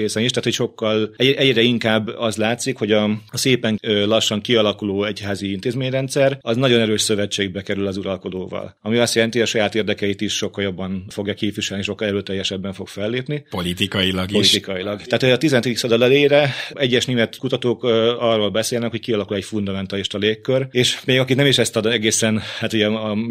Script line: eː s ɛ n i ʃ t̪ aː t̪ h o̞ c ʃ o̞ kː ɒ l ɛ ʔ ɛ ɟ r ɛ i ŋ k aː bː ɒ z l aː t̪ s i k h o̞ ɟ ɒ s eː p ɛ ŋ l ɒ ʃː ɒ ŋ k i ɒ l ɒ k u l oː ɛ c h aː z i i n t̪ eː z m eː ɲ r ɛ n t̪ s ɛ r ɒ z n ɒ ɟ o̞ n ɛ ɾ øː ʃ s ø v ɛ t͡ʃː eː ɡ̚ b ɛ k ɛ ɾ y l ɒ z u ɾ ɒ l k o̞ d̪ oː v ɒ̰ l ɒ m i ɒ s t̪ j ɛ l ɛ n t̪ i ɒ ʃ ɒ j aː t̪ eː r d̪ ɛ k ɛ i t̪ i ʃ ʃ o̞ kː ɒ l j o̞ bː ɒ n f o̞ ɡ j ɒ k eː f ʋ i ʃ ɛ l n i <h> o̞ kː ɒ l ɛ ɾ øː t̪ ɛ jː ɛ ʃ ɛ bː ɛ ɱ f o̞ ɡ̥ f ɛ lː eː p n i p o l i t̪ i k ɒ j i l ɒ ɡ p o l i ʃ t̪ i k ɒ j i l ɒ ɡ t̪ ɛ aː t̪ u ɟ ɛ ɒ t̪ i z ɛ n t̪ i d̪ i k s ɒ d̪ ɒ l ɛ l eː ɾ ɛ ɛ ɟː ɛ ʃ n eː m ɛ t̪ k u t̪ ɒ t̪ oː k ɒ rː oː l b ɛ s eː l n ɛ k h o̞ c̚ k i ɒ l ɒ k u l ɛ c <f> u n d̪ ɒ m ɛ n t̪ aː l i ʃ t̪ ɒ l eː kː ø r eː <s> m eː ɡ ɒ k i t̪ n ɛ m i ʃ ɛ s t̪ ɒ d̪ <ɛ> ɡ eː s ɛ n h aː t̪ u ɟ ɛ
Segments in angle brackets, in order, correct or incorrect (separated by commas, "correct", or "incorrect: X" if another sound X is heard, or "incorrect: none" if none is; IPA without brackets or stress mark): incorrect: ʃ, correct, incorrect: ʃ, correct